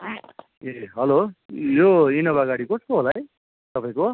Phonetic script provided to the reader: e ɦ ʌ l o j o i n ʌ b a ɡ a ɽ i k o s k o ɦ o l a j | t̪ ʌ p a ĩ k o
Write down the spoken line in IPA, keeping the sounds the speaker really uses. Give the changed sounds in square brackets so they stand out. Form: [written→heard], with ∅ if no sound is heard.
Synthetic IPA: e ɦ ʌ l o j o i n ʌ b a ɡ a ɽ i k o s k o ɦ o l a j | t̪ ʌ p a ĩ k o